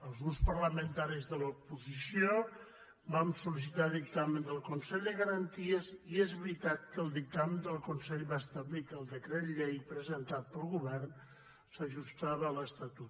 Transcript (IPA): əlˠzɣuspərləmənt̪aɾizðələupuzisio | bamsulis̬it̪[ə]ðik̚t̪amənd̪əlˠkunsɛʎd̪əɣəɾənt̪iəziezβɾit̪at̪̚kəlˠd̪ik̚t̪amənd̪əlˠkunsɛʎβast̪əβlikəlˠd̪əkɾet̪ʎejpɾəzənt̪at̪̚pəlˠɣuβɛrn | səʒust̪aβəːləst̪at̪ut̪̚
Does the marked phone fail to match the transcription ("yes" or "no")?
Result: yes